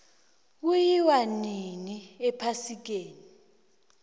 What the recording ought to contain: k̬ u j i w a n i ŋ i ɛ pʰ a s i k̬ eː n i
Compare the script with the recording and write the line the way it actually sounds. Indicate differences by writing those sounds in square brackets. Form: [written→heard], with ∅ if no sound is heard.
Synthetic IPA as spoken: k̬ u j i w a n i [ŋ→n] i ɛ pʰ a s i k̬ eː n i